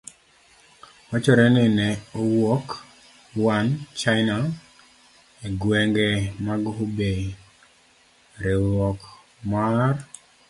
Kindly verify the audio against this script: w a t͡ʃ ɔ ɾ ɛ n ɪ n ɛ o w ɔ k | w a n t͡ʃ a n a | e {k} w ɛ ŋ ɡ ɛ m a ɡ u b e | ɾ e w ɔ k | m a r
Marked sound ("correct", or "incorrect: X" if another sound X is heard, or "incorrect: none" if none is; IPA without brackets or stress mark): incorrect: ɡ